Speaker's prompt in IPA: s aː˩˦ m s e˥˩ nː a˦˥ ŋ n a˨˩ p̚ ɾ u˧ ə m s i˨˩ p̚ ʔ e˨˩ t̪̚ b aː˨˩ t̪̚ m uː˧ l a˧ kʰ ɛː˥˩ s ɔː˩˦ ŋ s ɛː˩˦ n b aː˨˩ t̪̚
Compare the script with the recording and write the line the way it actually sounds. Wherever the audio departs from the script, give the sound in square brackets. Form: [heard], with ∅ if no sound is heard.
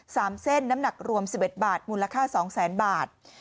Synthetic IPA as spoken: s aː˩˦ m s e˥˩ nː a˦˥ [m] n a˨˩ [k̚] ɾ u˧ ə m s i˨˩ p̚ ʔ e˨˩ t̪̚ b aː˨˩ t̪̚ m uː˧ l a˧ kʰ [aː˥˩] s ɔː˩˦ ŋ s ɛː˩˦ n b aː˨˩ t̪̚